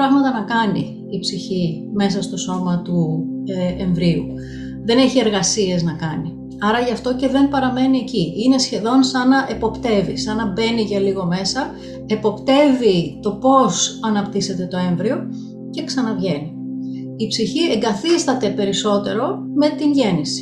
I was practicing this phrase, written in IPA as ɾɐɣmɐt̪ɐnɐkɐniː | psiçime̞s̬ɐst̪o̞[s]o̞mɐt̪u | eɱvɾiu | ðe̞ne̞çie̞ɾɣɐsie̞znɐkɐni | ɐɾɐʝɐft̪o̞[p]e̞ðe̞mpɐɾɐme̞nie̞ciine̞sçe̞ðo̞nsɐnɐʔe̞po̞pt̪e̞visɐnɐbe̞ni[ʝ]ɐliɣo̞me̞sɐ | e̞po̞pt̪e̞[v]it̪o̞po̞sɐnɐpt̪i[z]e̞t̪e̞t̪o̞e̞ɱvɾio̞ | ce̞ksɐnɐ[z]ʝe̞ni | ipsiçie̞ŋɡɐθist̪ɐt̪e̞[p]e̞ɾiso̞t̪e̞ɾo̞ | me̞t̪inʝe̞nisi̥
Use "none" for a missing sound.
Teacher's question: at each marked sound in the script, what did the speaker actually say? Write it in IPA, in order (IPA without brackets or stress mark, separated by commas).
s, c, ʝ, v, s, v, p